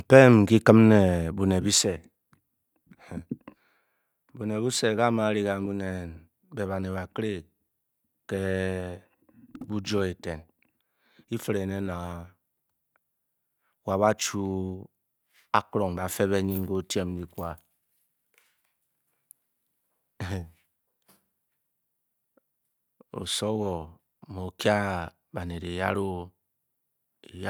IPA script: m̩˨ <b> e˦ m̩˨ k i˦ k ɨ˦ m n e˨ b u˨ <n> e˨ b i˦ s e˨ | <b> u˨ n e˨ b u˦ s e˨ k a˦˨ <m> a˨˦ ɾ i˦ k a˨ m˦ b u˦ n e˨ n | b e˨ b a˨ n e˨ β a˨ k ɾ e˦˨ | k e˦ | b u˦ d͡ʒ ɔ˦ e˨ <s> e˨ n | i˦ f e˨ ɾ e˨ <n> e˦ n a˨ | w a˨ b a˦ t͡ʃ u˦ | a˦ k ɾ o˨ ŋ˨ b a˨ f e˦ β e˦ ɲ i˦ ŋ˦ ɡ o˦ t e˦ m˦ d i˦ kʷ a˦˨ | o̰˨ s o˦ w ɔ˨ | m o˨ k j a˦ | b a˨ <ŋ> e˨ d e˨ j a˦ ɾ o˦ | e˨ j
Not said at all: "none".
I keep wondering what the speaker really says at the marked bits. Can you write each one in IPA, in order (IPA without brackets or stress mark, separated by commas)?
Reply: p, n, b, m, t, n, n